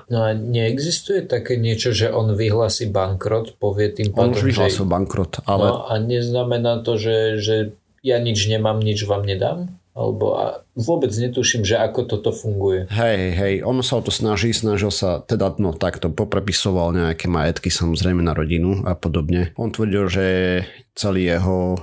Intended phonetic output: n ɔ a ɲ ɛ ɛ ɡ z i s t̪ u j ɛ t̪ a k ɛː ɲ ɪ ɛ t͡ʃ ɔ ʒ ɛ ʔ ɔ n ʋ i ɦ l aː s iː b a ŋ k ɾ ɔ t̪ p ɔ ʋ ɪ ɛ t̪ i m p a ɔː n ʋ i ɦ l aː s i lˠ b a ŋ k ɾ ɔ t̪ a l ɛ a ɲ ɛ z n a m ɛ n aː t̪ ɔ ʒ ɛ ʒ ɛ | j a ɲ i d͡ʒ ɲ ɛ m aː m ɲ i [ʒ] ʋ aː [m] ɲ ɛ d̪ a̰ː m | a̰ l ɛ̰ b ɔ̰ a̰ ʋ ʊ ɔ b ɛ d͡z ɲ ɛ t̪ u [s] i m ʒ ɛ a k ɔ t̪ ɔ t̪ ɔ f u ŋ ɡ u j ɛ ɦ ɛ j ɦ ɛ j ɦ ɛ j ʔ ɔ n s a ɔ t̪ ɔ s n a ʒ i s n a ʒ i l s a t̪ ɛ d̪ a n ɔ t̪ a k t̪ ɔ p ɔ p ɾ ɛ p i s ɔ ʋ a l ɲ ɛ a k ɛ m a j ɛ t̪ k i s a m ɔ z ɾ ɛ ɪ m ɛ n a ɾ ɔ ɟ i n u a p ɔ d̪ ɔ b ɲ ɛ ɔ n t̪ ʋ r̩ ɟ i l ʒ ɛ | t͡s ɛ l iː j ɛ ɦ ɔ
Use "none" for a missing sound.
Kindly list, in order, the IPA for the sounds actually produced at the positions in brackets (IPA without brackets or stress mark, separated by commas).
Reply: d͡ʒ, m, ʃ